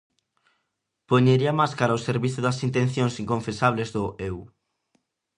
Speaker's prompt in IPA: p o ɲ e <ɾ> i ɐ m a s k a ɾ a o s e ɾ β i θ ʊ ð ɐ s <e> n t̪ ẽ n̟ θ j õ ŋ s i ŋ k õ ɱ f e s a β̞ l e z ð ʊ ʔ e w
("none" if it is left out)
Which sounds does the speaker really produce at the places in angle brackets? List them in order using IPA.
ɾ, i

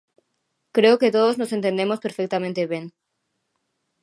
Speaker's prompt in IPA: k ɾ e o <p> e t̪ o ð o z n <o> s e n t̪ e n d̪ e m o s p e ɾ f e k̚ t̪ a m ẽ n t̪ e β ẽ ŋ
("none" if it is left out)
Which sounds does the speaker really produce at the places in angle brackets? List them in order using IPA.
k, o

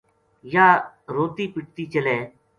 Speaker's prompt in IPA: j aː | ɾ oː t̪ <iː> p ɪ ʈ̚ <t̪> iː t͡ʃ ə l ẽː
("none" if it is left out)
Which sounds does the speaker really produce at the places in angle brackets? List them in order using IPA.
iː, t̪

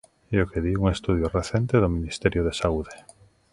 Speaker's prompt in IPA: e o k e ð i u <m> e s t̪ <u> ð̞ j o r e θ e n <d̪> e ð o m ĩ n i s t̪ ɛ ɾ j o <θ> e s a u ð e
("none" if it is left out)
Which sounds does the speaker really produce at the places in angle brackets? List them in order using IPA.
ŋ, u, t̪, ð

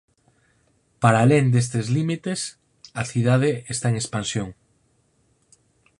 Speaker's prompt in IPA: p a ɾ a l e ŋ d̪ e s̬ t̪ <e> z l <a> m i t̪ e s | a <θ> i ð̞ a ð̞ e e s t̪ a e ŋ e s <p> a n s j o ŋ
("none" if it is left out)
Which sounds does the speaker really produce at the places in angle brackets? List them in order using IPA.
e, i, θ, p

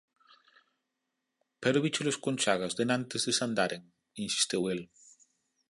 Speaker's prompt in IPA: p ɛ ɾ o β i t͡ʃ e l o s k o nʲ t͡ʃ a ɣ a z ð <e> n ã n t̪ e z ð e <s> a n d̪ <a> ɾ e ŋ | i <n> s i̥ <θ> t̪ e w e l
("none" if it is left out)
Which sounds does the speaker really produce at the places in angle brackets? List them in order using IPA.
e, s, a, n, s

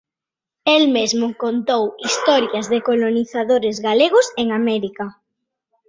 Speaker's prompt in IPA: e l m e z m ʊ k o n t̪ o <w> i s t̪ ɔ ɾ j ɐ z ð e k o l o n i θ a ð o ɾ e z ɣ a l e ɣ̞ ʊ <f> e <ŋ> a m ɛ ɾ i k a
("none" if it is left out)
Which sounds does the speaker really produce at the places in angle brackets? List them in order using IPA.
w, s, ŋ

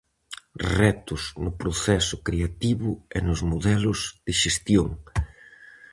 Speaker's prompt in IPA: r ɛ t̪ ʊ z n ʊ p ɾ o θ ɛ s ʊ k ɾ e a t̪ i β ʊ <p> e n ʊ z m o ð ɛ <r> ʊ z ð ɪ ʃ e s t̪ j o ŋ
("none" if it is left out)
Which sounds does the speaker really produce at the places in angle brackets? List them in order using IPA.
none, l

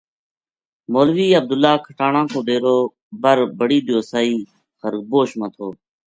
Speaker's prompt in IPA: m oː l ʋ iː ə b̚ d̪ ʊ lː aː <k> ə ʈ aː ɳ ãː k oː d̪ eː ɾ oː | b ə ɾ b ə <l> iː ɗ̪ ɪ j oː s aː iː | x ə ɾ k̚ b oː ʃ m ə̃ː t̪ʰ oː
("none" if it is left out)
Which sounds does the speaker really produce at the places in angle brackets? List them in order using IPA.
kʰ, ɽ

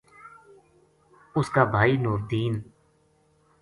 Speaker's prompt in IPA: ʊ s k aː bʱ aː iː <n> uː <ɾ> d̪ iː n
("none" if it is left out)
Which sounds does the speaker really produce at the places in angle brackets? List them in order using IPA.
n, ɾ

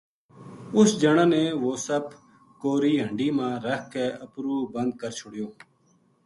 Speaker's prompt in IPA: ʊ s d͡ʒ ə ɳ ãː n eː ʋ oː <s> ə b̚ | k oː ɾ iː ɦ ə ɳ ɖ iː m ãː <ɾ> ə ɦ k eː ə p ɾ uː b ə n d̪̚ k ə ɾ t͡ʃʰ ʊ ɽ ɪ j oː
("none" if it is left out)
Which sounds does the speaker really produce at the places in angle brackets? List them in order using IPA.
s, ɾ

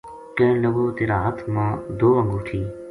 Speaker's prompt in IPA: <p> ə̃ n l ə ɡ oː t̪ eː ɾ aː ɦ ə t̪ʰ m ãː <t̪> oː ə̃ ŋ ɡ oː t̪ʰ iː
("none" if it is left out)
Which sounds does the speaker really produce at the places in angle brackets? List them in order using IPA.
k, d̪

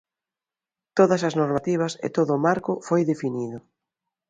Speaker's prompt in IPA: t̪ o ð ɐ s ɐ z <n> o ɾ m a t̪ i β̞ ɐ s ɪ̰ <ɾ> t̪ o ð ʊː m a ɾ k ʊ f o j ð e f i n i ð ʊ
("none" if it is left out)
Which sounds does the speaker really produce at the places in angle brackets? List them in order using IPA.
n, none

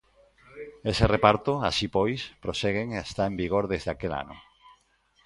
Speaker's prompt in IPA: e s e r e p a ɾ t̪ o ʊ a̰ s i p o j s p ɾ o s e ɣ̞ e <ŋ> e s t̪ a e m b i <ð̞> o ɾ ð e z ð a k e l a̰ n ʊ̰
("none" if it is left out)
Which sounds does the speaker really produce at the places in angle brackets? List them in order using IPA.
ŋ, ɣ̞

